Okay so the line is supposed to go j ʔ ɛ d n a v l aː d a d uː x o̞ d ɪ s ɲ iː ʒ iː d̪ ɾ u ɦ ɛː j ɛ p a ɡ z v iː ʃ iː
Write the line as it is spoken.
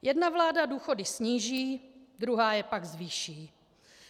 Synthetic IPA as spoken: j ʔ ɛ d n a v l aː d a d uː x o̞ d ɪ s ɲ iː ʒ iː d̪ ɾ u ɦ aː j ɛ p a ɡ z v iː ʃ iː